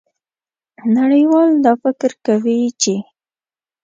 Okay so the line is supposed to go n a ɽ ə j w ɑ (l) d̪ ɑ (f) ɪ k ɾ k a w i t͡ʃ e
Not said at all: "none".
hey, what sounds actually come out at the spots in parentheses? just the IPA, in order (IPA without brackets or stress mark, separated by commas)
l, f